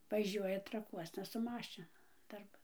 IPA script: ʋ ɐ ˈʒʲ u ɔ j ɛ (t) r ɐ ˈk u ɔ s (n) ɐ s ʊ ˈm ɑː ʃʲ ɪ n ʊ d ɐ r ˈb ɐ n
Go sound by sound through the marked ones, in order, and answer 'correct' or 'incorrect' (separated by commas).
correct, correct